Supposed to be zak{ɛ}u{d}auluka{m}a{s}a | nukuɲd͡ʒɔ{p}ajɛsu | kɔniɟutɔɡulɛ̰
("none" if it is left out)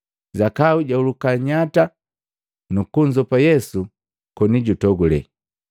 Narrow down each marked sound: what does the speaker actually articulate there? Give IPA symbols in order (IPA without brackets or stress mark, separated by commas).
a, ɟ, ɲ, t, p